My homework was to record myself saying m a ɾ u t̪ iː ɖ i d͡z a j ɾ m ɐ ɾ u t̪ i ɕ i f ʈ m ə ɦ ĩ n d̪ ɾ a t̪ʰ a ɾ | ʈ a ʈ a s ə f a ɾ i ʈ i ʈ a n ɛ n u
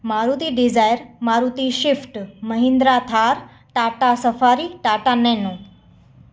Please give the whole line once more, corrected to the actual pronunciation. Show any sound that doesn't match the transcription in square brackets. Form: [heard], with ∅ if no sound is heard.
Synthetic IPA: m a ɾ u t̪ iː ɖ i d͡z a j ɾ m [a] ɾ u t̪ i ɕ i f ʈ m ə ɦ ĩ n d̪ ɾ a t̪ʰ a ɾ | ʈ a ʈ a s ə f a ɾ i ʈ [a] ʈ a n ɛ n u